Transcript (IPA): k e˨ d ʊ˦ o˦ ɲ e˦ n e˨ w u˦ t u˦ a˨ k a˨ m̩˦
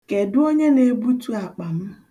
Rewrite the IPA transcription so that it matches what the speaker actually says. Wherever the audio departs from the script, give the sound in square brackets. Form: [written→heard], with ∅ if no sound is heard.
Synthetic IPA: k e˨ d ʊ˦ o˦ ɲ e˦ n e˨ [w→b] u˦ t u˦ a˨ [k→k͡p] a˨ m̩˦